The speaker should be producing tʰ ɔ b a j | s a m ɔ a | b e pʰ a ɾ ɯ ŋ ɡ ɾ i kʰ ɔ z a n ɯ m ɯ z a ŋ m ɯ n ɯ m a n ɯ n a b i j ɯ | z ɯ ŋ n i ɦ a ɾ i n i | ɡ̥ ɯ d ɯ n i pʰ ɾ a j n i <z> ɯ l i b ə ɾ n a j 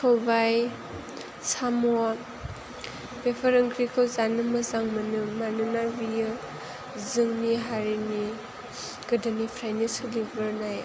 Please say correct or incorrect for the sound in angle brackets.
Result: incorrect: s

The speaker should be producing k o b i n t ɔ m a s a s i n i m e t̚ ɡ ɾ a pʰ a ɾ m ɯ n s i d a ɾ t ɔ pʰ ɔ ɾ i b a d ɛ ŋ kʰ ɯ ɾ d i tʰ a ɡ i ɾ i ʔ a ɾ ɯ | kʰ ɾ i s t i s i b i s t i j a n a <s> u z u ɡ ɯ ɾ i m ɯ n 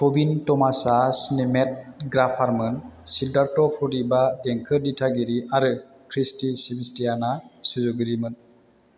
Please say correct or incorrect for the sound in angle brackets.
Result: correct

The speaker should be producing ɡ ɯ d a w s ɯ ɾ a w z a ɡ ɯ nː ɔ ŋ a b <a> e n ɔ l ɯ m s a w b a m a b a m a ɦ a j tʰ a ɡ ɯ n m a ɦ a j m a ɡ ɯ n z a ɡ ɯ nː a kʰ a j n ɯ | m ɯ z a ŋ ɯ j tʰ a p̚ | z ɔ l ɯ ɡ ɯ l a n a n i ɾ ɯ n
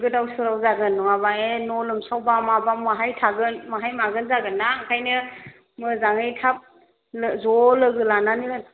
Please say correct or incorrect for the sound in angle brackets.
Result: correct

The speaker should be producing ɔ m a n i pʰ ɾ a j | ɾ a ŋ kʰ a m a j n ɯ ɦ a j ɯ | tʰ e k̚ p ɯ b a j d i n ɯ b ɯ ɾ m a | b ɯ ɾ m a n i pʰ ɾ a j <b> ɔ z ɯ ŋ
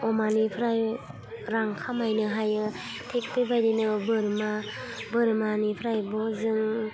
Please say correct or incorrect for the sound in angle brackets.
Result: correct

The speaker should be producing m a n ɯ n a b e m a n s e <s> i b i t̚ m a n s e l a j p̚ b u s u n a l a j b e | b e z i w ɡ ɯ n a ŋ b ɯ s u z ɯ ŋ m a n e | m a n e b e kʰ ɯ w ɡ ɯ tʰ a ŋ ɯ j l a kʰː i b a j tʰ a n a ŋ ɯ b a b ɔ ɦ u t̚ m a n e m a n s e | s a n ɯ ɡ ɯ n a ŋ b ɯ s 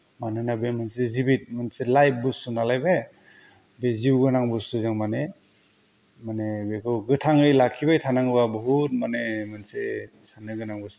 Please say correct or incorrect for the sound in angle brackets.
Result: incorrect: z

